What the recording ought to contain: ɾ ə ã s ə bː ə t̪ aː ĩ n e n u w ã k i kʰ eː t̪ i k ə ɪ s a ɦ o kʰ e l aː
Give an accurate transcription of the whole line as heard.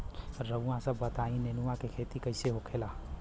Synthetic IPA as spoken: ɾ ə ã s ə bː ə t̪ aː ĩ n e n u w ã k e kʰ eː t̪ i k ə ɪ s e ɦ o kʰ e l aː